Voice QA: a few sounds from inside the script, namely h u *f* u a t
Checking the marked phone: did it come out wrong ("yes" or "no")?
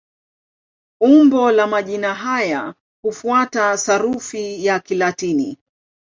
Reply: no